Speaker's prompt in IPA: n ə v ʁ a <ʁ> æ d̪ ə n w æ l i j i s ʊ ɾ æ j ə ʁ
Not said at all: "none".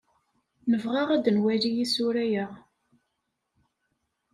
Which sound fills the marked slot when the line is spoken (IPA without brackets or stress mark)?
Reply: ʁ